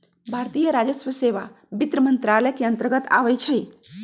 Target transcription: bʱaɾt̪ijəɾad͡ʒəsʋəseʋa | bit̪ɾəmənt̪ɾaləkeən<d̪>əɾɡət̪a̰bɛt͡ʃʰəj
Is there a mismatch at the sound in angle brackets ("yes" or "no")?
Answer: yes